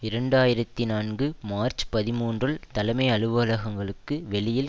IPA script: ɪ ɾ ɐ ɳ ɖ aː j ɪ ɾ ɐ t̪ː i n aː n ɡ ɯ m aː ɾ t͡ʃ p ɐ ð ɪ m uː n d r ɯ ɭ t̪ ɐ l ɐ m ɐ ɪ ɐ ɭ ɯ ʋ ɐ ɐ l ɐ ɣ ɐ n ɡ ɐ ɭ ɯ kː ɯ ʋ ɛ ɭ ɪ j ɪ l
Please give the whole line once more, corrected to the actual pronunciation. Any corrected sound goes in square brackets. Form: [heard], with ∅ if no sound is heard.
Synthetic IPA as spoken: ɪ ɾ ɐ ɳ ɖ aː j ɪ ɾ ɐ t̪ː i n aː n ɡ ɯ m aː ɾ t͡ʃ p ɐ ð ɪ m uː n d r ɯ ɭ t̪ ɐ l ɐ m ɐ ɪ ɐ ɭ ɯ ʋ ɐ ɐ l ɐ ɣ ɐ [ŋ] ɡ ɐ ɭ ɯ kː ɯ ʋ ɛ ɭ ɪ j ɪ l